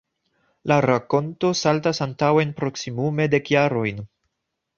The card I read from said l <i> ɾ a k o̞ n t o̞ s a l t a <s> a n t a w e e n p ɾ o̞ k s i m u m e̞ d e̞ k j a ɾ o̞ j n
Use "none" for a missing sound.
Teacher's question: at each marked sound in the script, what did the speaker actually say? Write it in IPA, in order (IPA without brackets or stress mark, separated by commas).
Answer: a, s